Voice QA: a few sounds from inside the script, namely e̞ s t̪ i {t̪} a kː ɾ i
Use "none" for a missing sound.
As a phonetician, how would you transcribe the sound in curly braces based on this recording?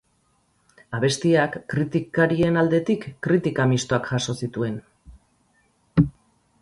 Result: none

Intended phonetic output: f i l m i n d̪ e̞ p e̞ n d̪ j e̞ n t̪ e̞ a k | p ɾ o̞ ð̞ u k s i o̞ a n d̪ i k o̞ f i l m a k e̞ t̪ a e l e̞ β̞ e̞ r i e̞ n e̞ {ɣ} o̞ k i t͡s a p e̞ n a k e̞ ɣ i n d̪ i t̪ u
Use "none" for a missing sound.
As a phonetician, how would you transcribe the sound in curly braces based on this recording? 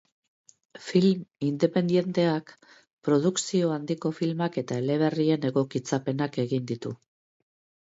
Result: ɣ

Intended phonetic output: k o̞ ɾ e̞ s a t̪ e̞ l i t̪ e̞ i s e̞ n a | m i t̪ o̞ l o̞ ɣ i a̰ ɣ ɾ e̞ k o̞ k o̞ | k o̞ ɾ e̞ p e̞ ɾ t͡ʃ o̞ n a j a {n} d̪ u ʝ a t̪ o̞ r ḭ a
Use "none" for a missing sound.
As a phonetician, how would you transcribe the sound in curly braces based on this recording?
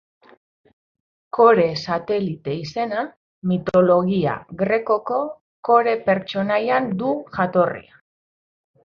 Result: n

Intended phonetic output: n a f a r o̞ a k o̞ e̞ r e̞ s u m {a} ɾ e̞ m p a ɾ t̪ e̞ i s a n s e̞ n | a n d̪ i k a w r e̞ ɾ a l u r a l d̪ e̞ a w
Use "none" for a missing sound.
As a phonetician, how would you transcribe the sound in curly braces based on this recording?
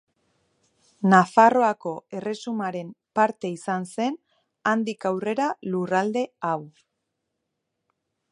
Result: a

